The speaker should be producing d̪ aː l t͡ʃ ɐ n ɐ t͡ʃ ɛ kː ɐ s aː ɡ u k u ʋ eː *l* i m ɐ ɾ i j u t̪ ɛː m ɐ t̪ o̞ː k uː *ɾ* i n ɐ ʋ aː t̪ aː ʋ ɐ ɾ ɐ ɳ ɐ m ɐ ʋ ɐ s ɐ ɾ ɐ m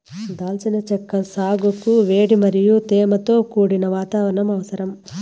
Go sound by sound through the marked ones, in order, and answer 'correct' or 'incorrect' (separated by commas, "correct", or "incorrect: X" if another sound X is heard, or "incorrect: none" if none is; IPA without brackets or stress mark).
incorrect: ɽ, incorrect: ɽ